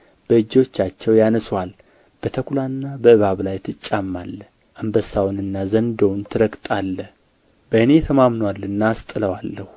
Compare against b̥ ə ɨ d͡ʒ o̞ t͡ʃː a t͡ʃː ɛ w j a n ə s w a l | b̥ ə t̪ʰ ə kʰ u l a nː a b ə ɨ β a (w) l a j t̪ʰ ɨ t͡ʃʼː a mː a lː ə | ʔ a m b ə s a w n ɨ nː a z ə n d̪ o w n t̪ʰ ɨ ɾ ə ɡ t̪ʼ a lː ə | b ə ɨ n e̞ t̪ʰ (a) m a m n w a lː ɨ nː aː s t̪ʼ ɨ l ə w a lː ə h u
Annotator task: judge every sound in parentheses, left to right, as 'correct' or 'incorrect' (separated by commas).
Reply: incorrect, incorrect